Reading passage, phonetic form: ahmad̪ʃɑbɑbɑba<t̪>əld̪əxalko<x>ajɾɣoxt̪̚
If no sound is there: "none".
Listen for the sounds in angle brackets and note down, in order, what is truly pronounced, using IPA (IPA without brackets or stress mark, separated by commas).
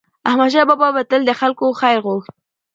t̪, x